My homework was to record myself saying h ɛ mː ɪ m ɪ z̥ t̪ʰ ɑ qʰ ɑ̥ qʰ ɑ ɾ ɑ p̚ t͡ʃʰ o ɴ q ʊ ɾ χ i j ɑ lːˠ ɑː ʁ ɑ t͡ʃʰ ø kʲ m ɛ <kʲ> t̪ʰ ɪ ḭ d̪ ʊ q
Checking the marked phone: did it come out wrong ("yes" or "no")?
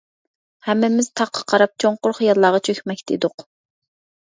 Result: no